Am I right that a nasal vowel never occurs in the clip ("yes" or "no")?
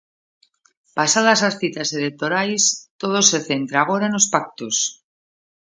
yes